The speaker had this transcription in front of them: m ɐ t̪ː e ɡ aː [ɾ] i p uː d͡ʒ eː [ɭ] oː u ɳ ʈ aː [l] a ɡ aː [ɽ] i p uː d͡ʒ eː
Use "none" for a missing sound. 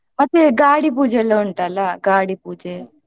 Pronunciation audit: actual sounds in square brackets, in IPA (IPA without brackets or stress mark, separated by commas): ɽ, l, l, ɽ